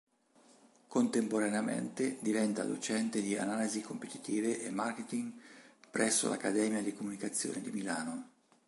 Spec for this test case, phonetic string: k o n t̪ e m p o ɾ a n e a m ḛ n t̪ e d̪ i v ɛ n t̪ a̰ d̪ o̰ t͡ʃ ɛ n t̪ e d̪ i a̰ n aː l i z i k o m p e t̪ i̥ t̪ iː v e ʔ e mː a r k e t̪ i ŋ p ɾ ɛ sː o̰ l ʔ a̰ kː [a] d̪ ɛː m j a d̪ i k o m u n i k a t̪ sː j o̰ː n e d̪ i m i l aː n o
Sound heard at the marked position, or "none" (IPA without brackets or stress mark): a